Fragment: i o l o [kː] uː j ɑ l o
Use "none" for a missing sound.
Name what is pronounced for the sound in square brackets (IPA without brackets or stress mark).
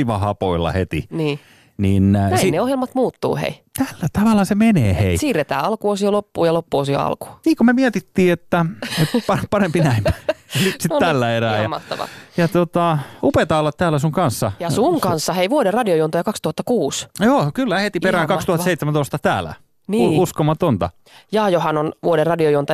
pː